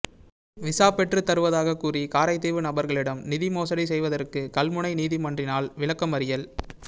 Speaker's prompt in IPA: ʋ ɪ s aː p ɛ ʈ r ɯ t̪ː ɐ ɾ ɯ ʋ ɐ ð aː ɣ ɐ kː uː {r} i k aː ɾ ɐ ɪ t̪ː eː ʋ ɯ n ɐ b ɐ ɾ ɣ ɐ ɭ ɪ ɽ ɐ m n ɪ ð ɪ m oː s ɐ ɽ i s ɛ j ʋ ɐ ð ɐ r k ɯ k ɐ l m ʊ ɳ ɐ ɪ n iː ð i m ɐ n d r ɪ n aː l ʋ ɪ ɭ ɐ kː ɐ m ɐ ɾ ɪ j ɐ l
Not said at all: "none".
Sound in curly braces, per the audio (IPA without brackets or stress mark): r